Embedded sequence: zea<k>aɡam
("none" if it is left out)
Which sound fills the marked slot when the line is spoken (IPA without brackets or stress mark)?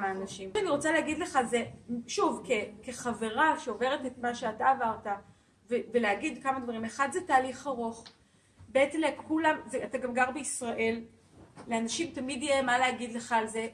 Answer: t